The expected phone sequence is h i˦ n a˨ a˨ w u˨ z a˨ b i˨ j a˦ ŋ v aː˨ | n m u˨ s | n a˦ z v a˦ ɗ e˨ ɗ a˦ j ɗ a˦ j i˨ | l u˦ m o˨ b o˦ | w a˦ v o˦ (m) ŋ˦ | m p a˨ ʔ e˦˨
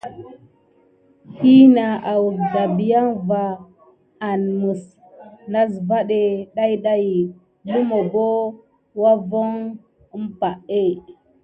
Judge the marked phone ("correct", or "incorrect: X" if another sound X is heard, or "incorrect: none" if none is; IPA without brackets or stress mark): incorrect: none